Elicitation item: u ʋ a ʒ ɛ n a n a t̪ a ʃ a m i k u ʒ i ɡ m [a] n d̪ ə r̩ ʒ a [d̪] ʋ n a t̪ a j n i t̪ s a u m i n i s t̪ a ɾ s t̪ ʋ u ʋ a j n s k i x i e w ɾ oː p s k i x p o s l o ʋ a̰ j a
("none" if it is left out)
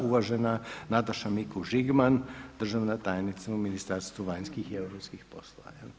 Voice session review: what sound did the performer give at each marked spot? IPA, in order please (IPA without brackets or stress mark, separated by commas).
a, none